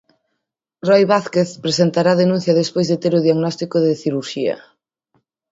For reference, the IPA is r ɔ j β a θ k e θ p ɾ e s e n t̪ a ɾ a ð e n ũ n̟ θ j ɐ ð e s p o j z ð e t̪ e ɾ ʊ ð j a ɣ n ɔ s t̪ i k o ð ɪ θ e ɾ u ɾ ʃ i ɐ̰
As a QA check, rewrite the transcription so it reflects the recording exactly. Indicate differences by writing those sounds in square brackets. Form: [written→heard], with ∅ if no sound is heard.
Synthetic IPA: r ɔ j β a θ k e θ p ɾ e s e n t̪ a ɾ a ð e n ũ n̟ θ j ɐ ð e s p o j z ð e t̪ e ɾ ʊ ð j a ɣ n ɔ s t̪ i k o ð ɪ θ [e→i] ɾ u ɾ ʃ i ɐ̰